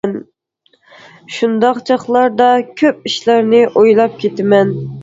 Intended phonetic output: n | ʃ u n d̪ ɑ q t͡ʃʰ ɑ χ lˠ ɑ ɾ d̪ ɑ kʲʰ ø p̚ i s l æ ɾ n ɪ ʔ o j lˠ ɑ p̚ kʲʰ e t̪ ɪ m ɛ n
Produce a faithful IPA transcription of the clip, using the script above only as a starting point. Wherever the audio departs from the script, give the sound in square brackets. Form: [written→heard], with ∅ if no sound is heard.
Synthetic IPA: n | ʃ u n d̪ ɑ q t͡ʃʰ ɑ χ lˠ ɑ ɾ d̪ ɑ kʲʰ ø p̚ i [s→ʃ] l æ ɾ n ɪ ʔ o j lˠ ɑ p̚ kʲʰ e t̪ ɪ m ɛ n